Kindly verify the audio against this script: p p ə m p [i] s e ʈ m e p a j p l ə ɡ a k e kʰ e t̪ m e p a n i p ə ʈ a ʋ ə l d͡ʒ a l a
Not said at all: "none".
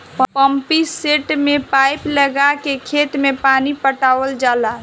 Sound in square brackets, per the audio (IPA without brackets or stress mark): i